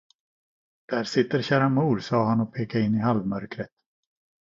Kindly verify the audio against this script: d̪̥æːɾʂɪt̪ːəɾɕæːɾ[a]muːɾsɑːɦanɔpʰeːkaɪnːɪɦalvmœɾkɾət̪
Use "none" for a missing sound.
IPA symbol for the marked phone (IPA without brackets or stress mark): a